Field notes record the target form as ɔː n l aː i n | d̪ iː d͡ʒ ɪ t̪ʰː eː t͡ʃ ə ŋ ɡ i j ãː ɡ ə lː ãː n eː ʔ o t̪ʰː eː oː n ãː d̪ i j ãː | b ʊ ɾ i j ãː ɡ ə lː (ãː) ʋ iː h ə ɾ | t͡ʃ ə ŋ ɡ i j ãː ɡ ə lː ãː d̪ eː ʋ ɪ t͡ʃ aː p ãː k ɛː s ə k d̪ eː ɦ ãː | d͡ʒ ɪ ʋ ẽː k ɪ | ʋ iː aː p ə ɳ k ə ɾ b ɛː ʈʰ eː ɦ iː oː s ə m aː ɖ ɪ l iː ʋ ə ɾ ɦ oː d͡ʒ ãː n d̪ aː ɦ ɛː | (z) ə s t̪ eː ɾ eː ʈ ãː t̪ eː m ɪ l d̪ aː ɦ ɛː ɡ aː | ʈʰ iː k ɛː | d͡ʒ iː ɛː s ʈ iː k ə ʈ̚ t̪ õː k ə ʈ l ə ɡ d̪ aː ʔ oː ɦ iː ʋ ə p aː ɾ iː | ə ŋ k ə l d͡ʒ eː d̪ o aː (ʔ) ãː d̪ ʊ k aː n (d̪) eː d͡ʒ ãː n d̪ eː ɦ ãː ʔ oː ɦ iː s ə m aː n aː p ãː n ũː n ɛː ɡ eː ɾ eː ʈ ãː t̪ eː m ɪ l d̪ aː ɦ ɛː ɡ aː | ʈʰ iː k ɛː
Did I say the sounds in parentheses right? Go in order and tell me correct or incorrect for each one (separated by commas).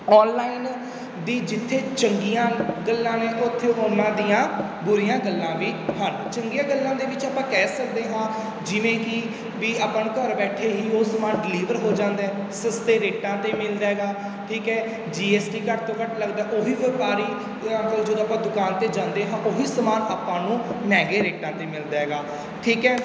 correct, incorrect, incorrect, incorrect